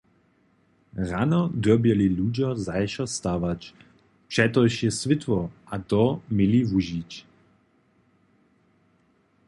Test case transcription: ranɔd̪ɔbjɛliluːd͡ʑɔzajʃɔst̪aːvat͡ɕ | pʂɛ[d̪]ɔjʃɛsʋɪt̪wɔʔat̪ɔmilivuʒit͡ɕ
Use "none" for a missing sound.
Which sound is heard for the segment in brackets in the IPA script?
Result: t̪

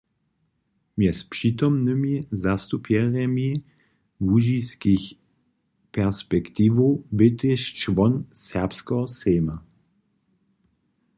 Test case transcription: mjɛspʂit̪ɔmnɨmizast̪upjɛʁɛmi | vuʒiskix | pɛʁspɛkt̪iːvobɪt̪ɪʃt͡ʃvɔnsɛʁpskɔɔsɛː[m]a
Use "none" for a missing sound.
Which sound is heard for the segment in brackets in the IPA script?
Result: m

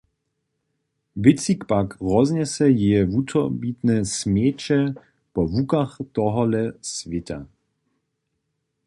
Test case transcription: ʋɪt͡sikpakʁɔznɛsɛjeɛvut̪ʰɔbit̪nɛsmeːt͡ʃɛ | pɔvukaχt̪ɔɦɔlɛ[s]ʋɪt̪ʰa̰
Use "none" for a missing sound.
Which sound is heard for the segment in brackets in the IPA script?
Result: s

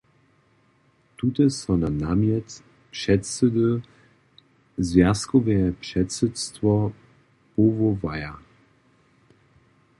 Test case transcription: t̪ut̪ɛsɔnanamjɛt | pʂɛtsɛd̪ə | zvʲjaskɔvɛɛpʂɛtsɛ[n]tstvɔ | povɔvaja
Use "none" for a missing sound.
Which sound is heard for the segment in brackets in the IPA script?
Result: none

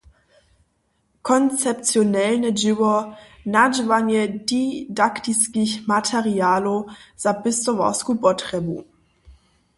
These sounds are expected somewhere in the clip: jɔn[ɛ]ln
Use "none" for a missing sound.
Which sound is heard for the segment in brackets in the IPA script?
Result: ɛ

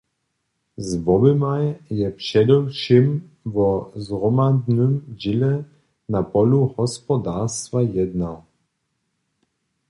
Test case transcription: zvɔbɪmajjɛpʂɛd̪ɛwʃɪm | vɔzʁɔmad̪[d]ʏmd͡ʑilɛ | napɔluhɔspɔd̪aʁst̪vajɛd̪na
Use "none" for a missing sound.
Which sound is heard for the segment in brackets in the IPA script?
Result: n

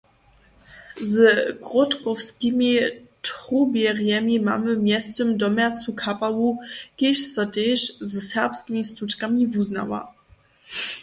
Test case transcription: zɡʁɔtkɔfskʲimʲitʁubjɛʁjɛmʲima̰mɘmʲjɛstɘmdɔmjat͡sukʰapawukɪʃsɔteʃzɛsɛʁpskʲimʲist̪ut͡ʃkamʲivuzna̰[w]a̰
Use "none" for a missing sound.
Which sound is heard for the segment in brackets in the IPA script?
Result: w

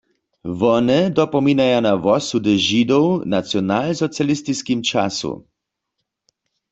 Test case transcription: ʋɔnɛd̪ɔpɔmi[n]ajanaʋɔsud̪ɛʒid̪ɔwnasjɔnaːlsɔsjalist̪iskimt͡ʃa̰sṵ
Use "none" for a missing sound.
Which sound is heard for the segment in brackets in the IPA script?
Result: n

